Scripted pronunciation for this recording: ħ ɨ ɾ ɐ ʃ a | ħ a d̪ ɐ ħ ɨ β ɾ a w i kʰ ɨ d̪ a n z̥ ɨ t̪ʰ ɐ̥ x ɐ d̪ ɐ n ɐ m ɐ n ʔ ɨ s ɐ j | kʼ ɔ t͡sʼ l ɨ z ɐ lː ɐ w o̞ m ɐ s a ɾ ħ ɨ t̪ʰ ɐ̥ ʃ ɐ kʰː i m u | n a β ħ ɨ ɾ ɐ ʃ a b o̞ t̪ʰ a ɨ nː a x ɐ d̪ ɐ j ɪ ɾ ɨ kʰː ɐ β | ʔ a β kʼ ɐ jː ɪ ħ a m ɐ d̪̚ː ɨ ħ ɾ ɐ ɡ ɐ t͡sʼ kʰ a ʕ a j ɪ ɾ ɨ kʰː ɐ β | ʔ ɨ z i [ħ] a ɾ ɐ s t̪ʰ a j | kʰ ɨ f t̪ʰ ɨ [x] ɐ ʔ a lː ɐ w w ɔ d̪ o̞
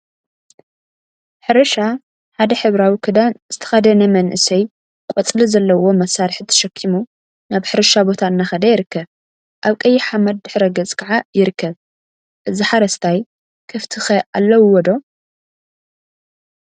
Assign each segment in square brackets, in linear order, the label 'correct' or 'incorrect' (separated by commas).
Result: correct, correct